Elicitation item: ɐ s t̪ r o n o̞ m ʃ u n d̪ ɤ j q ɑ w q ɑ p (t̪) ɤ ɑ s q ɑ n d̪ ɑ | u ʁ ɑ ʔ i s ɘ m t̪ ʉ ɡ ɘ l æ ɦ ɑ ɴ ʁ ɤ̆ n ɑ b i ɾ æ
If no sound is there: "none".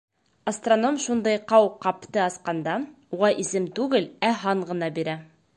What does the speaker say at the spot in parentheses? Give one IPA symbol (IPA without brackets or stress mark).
t̪